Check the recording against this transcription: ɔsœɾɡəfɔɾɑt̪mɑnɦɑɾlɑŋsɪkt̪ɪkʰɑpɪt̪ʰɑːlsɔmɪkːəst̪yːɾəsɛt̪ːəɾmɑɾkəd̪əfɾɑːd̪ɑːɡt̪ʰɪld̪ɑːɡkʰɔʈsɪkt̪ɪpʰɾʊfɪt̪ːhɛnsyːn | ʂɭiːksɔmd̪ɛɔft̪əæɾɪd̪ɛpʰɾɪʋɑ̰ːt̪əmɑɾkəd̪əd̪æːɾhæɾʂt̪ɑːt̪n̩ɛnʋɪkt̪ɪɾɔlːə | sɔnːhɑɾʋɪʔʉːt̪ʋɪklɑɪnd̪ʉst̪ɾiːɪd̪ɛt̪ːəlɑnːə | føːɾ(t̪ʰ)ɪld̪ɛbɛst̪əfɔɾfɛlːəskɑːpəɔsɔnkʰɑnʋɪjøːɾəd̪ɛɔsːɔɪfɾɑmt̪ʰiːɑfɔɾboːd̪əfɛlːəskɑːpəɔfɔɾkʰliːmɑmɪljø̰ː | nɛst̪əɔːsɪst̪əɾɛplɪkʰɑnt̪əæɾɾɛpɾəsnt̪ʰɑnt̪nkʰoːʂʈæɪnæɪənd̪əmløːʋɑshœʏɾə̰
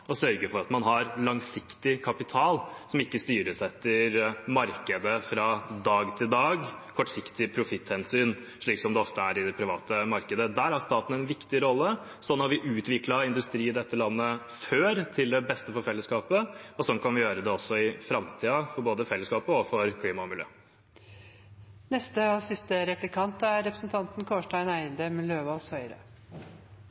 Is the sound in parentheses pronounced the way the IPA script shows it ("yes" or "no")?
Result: yes